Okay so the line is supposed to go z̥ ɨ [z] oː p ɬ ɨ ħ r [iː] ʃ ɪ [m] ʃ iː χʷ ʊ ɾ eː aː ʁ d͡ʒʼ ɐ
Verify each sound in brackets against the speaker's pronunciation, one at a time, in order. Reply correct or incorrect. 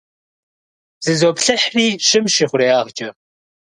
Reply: correct, correct, correct

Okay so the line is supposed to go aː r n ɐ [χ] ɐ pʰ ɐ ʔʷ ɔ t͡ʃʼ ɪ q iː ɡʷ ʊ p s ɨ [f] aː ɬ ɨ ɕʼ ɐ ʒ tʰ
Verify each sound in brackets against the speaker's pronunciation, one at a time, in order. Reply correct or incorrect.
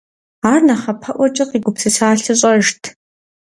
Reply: correct, incorrect

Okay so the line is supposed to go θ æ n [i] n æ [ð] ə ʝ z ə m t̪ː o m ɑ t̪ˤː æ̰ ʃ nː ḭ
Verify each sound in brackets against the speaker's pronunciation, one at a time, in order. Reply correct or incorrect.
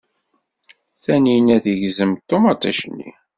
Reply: correct, incorrect

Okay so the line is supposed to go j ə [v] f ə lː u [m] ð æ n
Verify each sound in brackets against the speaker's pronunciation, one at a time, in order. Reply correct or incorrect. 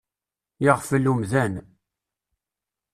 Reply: incorrect, correct

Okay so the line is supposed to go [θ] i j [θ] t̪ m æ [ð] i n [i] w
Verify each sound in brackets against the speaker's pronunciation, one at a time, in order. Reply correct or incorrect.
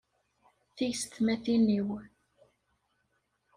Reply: correct, incorrect, incorrect, correct

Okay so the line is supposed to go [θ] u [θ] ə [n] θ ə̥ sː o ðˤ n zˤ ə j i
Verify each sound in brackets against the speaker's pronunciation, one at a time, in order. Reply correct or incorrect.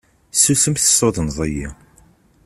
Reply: incorrect, incorrect, incorrect

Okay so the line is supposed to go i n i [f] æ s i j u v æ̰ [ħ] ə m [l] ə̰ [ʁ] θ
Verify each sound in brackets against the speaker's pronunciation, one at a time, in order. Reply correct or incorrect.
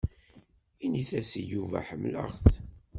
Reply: incorrect, correct, correct, correct

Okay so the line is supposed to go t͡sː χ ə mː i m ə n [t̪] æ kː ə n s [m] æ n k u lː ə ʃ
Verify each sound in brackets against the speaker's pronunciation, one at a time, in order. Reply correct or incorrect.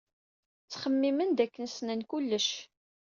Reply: incorrect, incorrect

